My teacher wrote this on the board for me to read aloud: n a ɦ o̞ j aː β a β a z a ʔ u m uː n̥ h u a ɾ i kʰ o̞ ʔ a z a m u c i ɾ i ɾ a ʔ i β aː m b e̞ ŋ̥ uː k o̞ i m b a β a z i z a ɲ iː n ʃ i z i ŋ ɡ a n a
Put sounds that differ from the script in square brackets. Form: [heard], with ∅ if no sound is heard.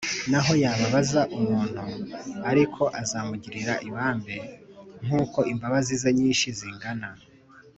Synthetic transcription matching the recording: n a ɦ o̞ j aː β a β a z a ʔ u m uː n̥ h u a ɾ i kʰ o̞ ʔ a z a m u [ɟ] i ɾ i ɾ a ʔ i β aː m b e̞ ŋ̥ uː k o̞ i m b a β a z i z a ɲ iː n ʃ i z i ŋ ɡ a n a

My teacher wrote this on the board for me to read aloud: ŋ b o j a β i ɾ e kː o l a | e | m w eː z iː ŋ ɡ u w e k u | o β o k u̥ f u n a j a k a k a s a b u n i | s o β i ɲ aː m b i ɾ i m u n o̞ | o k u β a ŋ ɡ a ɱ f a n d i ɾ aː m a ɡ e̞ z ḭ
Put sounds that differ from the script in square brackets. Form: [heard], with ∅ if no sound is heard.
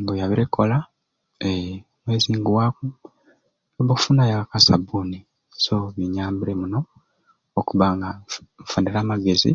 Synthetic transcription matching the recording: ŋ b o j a β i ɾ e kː o l a | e | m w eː z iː ŋ ɡ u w [a] k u | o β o k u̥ f u n a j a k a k a s a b u n i | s o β i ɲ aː m b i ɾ [e] m u n o̞ | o k u β a ŋ ɡ a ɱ f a n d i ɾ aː m a ɡ e̞ z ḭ

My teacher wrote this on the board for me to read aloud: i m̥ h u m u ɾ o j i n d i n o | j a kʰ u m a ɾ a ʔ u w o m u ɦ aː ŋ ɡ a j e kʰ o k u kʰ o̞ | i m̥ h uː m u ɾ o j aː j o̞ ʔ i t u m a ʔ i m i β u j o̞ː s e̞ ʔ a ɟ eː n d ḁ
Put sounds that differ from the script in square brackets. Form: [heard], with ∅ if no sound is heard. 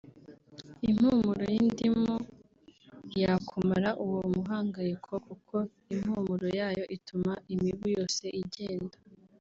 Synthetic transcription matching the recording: i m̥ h u m u ɾ o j i n d i [m] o | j a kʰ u m a ɾ a ʔ u w o m u ɦ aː ŋ ɡ a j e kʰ o k u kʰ o̞ | i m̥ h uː m u ɾ o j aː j o̞ ʔ i t u m a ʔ i m i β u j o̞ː s e̞ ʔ [i] ɟ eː n d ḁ

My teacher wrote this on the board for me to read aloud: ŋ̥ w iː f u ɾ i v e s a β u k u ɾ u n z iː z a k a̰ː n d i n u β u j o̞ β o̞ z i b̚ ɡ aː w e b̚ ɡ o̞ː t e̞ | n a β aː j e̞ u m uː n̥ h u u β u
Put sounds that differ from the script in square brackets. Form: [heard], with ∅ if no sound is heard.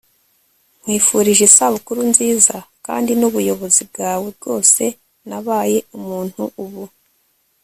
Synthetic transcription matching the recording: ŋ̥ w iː f u ɾ i [ʒ] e s a β u k u ɾ u n z iː z a k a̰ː n d i n u β u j o̞ β o̞ z i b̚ ɡ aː w e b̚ ɡ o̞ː [s] e̞ | n a β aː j e̞ u m uː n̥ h u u β u

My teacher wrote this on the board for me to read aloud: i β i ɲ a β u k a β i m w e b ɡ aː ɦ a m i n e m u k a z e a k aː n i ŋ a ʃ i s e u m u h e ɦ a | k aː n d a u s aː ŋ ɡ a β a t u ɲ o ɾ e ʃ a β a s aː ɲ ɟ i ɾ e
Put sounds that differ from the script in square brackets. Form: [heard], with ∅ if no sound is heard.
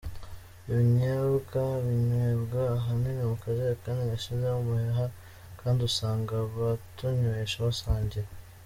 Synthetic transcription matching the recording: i β i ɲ a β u k a β i [ɲ] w e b ɡ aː ɦ a m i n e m u k a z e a k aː n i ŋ a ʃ i [z] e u m u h e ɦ a | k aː n d [i] u s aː ŋ ɡ a β a t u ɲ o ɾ e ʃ a β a s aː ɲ ɟ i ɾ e

